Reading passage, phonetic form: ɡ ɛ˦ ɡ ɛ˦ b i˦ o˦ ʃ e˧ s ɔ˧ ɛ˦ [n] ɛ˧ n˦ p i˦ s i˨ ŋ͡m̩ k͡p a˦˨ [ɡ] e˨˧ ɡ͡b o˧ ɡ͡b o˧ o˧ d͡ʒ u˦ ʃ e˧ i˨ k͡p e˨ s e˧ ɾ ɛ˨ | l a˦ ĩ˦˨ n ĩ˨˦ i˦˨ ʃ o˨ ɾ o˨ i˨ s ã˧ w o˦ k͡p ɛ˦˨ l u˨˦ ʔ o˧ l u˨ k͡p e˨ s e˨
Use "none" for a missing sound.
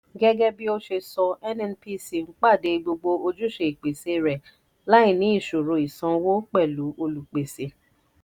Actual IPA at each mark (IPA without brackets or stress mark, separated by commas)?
n, d